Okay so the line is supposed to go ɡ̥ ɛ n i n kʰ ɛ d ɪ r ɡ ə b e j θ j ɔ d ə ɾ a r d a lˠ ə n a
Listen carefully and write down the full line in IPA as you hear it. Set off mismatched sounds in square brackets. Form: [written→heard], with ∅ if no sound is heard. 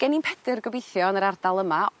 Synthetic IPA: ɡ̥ ɛ n i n [kʰ→pʰ] ɛ d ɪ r ɡ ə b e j θ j ɔ [d→n] ə ɾ a r d a lˠ ə [n→m] a